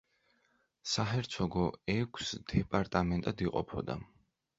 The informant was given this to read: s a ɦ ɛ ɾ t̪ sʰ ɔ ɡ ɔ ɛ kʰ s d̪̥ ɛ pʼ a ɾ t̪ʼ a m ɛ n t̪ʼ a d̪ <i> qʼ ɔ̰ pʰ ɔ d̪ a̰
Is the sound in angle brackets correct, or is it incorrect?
correct